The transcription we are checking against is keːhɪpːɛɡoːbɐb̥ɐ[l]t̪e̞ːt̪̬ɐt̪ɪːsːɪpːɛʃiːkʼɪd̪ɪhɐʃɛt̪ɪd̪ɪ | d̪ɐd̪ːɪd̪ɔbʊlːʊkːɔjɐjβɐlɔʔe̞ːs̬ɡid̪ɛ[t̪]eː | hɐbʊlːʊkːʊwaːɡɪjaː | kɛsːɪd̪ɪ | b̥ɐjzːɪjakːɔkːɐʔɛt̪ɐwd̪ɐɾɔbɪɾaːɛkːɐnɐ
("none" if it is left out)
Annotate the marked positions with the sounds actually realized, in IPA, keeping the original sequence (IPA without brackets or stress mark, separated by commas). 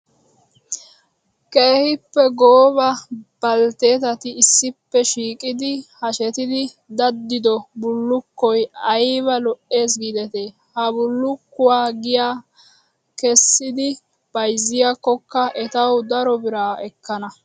l, t̪